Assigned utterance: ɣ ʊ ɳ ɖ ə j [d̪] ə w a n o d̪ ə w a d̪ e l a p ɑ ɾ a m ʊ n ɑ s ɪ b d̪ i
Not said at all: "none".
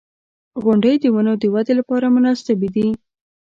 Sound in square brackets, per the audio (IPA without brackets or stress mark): d̪